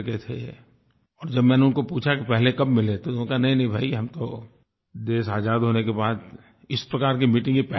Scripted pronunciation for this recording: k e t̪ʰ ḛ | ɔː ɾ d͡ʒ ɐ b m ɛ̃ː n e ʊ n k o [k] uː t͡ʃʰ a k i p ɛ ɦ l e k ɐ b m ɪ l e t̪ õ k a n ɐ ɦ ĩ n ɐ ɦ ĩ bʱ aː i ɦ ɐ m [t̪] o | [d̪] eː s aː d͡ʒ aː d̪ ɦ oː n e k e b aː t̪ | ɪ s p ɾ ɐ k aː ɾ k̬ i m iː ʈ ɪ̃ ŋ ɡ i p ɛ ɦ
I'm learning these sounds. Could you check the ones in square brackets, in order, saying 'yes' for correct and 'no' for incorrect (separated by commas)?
no, yes, yes